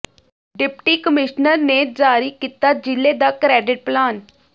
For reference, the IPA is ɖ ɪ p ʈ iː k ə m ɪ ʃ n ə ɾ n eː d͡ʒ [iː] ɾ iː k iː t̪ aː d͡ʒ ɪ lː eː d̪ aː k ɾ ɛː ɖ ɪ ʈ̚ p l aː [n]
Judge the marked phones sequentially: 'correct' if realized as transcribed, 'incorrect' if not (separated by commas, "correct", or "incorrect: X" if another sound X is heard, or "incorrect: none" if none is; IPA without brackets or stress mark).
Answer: incorrect: aː, correct